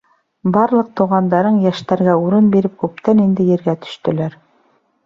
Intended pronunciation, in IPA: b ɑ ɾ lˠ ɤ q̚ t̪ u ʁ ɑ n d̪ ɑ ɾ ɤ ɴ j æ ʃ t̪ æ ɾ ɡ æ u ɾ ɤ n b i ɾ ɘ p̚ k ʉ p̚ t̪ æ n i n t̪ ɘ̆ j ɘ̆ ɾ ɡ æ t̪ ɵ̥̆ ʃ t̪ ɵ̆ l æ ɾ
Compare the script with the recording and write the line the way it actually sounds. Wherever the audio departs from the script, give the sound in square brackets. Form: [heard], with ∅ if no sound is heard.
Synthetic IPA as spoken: b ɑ ɾ lˠ ɤ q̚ t̪ u ʁ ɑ n d̪ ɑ ɾ ɤ ɴ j æ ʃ t̪ æ ɾ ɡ æ u ɾ ɤ n b i ɾ ɘ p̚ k ʉ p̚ t̪ æ n i n [d̪] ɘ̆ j ɘ̆ ɾ ɡ æ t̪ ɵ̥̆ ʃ t̪ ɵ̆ l æ ɾ